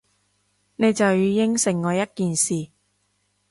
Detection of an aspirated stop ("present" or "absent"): absent